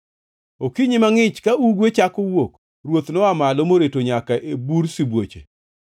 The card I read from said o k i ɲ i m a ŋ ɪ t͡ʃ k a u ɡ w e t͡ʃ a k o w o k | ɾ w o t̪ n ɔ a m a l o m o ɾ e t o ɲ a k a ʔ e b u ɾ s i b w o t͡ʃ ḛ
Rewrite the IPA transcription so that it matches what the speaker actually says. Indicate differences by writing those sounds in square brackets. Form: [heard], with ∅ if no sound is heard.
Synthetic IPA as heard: o k i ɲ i m a ŋ ɪ t͡ʃ k a u ɡ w e t͡ʃ a k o w o k | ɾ w o t̪ n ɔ a m a l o m o ɾ e t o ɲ a k a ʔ e b u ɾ s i b w o t͡ʃ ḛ